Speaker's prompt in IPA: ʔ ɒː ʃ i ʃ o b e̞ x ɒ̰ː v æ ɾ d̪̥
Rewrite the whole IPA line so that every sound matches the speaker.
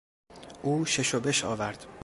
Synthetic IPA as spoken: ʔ uː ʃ e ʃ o b e̞ ʃ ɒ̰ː v æ ɾ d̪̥